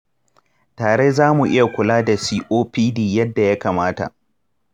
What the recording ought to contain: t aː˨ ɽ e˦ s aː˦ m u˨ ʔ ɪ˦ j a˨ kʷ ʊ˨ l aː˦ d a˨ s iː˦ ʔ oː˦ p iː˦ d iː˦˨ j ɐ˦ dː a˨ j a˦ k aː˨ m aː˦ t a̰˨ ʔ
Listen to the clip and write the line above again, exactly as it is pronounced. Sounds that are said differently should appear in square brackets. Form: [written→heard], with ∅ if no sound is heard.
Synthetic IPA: t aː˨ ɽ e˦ [s→z] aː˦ m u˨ ʔ ɪ˦ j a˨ kʷ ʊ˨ l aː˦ d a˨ s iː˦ ʔ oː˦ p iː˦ d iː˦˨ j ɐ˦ dː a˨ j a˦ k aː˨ m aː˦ t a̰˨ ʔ

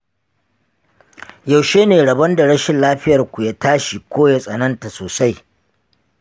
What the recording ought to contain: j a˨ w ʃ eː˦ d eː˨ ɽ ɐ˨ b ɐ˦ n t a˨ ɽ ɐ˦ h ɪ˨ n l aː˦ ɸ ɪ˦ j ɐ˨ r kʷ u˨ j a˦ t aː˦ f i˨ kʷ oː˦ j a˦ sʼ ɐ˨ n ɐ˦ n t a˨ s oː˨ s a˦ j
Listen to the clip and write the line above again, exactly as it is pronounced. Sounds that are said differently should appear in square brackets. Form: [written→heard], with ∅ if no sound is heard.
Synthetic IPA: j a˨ w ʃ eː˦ [d→n] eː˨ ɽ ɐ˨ b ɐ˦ n [t→d] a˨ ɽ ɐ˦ [h→ʃ] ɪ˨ n l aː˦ ɸ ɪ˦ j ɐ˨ r kʷ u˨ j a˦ t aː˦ [f→ʃ] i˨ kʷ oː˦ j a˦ sʼ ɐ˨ n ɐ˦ n t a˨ s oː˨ s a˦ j

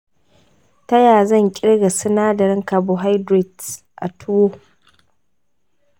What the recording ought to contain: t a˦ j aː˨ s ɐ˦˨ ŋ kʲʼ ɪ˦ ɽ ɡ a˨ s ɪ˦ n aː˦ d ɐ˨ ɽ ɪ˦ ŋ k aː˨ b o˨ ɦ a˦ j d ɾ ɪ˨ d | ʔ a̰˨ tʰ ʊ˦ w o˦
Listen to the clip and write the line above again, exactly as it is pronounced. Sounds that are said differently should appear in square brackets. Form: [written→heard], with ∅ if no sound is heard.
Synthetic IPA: t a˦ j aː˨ [s→z] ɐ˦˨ ŋ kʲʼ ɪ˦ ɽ ɡ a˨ s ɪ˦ n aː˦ d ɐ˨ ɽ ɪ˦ ŋ k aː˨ b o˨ ɦ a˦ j d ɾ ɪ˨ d | ʔ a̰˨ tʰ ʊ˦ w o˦

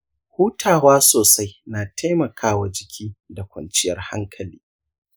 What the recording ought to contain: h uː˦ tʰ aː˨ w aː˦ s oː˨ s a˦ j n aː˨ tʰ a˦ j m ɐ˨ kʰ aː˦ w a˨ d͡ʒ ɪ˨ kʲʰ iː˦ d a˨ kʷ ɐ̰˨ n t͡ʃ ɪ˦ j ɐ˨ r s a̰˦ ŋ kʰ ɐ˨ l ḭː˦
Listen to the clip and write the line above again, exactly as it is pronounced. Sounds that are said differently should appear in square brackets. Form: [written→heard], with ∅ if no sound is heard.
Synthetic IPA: h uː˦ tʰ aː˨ w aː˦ s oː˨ s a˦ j n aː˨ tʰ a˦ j m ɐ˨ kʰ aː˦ w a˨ d͡ʒ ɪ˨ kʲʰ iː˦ d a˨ kʷ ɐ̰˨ n t͡ʃ ɪ˦ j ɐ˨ r [s→h] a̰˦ ŋ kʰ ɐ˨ l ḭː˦

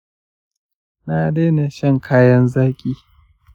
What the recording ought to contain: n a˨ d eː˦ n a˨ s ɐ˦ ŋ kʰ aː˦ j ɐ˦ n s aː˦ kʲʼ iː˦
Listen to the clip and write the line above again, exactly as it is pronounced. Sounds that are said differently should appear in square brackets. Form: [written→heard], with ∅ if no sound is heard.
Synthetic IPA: n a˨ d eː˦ n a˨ [s→ʃ] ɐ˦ ŋ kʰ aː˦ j ɐ˦ n [s→z] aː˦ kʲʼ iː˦

